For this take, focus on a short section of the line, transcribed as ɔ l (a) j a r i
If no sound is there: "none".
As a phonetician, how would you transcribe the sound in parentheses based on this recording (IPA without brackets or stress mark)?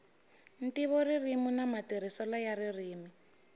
a